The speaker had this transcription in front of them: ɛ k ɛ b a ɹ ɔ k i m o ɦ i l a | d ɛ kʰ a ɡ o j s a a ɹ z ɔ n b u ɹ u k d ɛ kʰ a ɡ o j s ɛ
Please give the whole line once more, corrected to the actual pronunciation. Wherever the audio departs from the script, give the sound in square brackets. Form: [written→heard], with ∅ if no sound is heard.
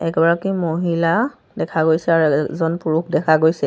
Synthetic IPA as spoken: ɛ k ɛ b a ɹ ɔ k i m o ɦ i l a | d ɛ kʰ a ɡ o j s [a→ɛ] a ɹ z ɔ n [b→p] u ɹ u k d ɛ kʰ a ɡ o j s ɛ